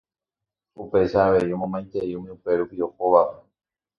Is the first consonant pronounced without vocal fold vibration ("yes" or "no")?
yes